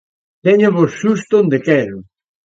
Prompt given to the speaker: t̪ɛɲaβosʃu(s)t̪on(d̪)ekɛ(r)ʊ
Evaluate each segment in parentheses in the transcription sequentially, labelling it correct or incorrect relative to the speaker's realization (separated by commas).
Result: correct, correct, incorrect